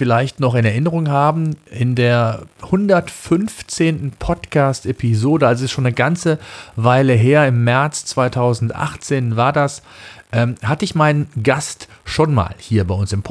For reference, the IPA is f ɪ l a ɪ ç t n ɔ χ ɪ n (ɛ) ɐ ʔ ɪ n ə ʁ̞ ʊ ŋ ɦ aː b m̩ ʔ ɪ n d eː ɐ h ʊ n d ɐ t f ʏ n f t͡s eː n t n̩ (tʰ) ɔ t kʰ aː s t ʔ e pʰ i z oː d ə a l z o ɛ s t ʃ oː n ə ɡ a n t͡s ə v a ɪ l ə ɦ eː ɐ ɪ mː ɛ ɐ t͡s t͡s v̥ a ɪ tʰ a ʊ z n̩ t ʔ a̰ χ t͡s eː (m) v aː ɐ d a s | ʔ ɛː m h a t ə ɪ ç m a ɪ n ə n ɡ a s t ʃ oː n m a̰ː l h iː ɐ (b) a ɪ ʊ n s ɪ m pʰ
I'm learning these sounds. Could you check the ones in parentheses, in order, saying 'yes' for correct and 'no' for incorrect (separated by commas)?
yes, no, no, yes